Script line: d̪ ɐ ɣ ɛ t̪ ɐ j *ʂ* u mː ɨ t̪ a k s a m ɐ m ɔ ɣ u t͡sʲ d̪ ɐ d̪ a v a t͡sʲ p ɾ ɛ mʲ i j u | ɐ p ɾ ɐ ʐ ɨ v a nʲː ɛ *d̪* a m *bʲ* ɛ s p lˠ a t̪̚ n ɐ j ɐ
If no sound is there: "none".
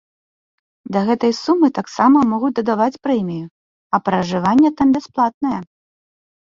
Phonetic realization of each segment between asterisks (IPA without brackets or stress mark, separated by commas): s, t̪, bʲ